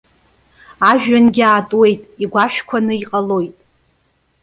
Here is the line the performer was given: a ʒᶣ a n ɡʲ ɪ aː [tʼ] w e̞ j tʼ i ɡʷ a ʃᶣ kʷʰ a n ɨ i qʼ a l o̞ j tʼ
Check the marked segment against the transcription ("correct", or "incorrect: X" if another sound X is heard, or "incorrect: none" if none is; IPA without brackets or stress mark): correct